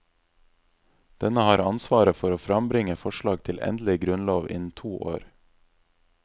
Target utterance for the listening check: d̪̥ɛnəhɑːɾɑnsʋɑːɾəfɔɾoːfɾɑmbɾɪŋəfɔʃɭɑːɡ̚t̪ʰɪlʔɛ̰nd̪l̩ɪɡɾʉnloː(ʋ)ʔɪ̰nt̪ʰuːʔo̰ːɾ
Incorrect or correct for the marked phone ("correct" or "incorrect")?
correct